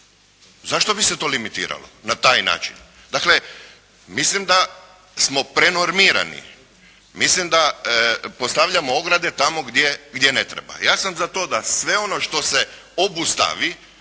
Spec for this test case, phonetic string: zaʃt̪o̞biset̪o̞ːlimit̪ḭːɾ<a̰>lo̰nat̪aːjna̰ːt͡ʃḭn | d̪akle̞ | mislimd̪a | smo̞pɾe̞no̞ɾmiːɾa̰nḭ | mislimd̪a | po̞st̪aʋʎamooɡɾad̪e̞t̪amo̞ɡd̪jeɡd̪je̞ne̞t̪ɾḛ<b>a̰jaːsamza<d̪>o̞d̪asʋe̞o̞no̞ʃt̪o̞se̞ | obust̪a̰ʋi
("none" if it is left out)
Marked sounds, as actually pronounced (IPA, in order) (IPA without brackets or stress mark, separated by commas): a̰, b, t̪